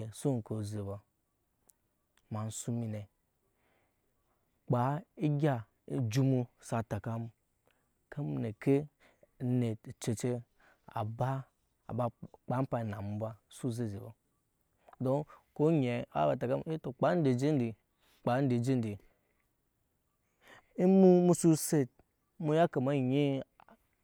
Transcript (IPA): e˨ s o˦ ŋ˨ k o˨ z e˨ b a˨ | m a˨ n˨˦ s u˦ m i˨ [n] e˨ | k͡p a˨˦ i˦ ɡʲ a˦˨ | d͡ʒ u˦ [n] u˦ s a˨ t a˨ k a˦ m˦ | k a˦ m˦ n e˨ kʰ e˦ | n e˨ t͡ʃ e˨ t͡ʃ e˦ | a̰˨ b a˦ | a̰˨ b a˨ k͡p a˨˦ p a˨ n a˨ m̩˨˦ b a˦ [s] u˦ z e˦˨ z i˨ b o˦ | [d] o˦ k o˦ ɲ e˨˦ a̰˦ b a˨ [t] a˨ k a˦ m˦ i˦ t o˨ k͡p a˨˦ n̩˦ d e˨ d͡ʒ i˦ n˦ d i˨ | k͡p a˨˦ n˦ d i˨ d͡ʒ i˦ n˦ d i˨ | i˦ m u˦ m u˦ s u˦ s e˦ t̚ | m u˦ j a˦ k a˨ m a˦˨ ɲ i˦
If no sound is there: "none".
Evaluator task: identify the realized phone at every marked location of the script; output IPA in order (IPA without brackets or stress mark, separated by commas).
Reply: n, m, s, d, t